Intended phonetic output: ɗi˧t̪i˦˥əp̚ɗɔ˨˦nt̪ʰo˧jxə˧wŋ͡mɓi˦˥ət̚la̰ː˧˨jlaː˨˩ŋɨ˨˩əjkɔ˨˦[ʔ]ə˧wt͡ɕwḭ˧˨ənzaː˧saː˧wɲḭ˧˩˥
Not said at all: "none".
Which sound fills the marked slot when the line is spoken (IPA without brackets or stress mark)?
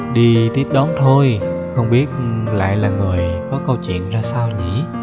k